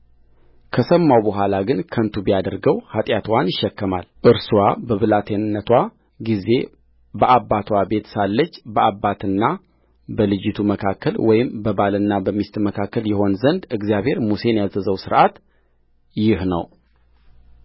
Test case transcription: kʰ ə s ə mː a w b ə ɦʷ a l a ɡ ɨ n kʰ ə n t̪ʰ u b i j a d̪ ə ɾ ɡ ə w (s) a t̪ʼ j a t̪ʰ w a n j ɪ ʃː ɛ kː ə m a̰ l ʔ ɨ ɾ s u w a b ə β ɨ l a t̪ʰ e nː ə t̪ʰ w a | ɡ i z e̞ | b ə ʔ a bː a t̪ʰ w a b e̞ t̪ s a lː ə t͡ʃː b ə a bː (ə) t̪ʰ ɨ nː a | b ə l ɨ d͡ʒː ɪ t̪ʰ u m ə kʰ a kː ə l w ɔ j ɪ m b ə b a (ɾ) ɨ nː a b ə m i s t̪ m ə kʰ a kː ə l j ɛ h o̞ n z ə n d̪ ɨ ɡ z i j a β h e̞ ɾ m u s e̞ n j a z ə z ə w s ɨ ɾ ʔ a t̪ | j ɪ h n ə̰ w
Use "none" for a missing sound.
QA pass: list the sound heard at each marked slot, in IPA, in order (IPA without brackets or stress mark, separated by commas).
h, a, l